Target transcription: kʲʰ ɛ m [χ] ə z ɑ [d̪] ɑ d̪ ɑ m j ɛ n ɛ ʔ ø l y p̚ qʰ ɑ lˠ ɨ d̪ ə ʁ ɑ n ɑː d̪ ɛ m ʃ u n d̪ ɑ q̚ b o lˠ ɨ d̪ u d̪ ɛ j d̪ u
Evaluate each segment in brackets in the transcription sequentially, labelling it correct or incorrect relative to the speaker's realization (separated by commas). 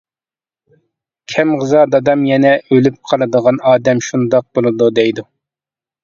incorrect, correct